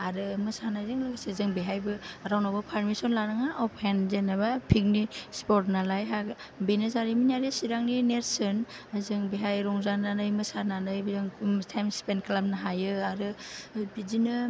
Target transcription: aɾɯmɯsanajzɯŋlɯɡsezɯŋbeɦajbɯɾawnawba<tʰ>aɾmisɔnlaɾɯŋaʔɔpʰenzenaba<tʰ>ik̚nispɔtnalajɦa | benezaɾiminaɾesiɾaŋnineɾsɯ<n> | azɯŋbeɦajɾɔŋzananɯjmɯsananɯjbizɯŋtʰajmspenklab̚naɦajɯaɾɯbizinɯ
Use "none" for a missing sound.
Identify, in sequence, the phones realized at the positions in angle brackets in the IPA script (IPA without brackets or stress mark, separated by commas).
pʰ, pʰ, n